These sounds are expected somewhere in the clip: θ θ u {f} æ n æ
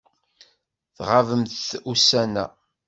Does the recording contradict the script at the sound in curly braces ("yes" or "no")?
yes